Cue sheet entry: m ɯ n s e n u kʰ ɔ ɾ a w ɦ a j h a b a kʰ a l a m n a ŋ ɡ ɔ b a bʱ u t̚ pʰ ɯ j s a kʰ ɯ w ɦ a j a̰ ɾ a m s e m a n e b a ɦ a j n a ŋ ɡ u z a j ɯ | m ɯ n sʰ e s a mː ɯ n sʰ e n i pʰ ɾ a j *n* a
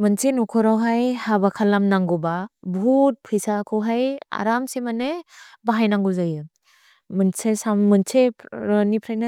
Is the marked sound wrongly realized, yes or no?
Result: no